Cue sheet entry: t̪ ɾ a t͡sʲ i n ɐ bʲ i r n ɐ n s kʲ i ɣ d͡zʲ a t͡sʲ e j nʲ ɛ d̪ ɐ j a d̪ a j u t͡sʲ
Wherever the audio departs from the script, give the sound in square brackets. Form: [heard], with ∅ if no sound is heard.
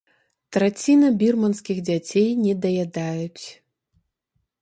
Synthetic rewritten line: t̪ ɾ a t͡sʲ i n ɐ bʲ i r [m] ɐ n s kʲ i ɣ d͡zʲ a t͡sʲ e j nʲ ɛ d̪ ɐ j a d̪ a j u t͡sʲ